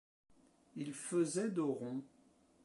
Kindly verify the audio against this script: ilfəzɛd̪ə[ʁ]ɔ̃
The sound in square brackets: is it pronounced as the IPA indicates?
yes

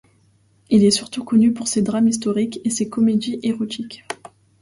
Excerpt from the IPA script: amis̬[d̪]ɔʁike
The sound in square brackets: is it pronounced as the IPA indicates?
no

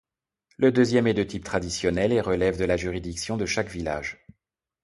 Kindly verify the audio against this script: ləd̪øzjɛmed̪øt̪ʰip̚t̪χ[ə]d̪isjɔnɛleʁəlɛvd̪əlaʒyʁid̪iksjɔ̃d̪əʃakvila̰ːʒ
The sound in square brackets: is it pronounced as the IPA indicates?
no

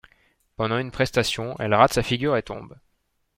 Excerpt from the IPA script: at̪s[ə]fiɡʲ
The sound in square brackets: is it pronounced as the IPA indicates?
no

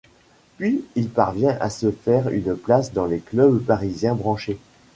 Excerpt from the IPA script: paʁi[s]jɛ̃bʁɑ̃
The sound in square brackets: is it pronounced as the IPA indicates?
no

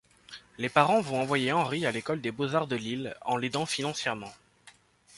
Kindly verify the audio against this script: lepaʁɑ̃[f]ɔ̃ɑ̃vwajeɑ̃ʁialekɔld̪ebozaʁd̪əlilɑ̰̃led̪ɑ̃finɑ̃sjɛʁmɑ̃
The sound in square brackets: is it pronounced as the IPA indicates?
no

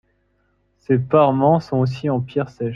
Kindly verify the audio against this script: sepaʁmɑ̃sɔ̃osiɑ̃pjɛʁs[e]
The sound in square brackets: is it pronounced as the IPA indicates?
no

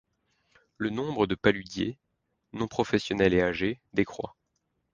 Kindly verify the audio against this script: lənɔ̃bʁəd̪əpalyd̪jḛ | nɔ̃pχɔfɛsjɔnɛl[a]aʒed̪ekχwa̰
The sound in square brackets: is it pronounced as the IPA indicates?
no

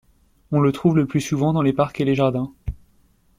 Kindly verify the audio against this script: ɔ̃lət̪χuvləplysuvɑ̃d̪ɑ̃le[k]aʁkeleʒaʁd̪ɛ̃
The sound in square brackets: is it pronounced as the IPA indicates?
no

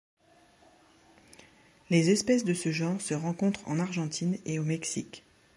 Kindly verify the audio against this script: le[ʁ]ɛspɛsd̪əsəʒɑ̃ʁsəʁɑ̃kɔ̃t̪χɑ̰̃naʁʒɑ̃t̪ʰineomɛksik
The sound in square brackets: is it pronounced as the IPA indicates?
no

